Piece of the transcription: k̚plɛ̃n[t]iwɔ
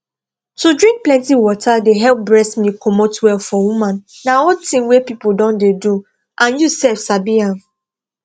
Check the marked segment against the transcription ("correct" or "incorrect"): correct